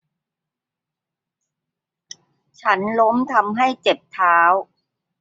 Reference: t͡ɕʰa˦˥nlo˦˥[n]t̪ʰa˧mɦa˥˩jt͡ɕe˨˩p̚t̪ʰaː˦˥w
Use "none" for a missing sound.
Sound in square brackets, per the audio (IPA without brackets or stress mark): m